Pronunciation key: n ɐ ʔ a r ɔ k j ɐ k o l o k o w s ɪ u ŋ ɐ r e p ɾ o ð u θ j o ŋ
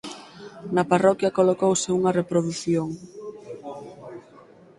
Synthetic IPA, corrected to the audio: n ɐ p a r ɔ k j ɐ k o l o k o w s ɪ u ŋ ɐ r e p ɾ o ð u θ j o ŋ